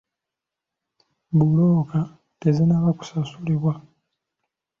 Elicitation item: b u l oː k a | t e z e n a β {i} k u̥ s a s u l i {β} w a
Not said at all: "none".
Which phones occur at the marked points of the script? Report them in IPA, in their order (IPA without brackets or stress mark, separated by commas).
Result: a, β